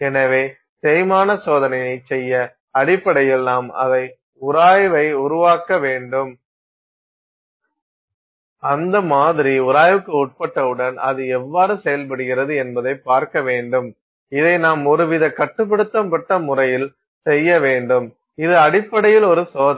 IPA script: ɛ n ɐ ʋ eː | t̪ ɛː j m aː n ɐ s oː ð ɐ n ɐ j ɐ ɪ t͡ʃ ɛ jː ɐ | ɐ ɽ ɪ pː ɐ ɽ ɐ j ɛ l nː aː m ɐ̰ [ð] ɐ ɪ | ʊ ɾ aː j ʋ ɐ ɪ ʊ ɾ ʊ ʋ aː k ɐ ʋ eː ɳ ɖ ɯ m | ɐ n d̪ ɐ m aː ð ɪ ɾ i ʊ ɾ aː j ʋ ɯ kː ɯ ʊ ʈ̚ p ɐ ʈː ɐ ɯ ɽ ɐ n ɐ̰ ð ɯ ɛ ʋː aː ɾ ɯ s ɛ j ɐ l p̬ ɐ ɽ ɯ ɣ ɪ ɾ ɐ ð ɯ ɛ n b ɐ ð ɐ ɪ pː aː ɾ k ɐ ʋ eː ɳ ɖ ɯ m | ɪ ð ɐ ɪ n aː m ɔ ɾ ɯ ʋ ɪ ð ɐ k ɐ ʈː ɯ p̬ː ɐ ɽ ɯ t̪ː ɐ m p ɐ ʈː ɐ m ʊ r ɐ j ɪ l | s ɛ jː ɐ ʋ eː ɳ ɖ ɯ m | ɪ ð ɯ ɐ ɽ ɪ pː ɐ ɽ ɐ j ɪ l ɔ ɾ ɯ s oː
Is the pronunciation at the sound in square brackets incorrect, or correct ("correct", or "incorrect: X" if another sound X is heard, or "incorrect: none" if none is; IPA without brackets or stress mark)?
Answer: correct